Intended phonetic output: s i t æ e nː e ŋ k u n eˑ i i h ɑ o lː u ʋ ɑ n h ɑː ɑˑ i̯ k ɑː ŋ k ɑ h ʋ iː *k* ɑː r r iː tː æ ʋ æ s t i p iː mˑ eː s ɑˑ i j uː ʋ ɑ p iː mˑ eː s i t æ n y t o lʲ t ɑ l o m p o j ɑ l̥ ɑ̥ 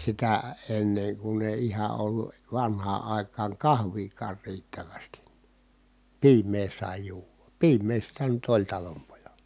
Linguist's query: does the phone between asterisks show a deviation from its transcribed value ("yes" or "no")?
no